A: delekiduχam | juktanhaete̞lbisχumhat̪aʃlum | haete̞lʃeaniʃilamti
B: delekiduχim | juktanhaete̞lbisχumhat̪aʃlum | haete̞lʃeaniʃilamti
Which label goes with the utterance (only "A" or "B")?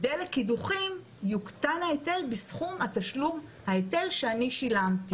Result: B